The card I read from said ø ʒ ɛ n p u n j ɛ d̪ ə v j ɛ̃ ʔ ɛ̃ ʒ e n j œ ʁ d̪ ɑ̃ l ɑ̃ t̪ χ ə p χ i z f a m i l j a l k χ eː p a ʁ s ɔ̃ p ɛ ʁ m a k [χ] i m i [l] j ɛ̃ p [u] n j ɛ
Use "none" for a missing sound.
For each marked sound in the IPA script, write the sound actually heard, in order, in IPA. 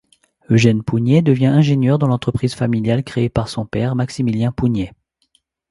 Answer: s, l, u

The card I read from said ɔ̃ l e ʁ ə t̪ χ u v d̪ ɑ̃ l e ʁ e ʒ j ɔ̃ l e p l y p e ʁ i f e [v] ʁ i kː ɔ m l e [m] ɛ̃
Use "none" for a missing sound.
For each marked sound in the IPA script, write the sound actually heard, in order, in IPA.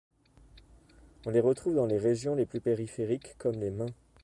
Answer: none, m

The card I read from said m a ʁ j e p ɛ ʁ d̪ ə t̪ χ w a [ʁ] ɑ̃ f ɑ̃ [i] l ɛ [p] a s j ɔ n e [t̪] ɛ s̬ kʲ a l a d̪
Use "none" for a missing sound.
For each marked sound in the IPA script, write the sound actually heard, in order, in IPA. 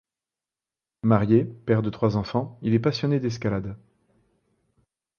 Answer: z, i, p, d̪

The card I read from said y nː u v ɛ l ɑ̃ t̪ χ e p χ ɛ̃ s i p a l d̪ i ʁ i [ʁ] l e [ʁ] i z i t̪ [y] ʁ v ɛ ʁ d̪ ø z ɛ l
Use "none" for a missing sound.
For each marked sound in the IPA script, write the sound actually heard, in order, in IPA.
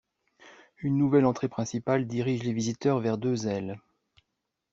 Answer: ʒ, v, œ

